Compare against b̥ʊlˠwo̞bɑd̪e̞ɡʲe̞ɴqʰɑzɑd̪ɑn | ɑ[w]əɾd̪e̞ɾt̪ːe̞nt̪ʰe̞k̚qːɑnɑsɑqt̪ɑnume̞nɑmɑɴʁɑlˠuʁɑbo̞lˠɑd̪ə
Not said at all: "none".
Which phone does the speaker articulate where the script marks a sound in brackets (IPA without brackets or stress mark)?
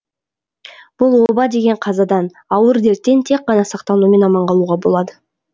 w